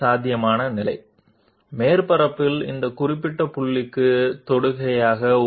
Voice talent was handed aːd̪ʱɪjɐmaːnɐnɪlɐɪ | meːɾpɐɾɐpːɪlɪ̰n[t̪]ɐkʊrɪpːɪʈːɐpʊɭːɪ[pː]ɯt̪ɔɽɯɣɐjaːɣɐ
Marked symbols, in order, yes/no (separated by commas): no, no